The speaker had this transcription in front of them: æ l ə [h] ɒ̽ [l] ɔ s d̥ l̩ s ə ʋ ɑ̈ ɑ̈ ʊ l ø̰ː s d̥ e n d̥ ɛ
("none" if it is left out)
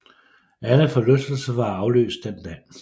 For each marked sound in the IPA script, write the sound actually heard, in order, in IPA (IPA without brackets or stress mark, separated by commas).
f, l